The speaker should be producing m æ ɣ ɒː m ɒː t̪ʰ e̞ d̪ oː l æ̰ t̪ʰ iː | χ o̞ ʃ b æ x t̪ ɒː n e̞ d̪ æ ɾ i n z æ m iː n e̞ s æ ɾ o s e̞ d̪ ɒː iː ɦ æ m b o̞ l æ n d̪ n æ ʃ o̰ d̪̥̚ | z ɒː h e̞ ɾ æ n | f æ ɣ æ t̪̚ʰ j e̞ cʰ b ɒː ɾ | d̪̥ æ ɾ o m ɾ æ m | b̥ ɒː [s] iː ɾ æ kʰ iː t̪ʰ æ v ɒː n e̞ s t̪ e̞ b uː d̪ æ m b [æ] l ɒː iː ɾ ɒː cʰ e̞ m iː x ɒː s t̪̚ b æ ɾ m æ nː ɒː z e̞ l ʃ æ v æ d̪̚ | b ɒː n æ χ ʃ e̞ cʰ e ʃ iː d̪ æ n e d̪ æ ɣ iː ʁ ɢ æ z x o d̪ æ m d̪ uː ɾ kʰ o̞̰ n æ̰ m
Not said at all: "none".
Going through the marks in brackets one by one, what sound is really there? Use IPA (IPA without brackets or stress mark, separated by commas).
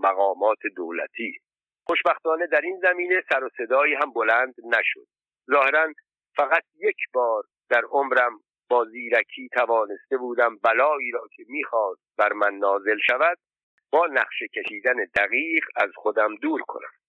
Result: z, æ